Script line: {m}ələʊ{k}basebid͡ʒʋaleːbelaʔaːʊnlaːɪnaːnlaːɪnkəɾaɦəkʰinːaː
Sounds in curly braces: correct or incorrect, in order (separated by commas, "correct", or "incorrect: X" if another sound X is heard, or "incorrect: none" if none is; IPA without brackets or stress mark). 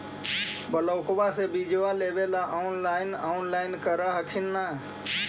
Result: incorrect: b, correct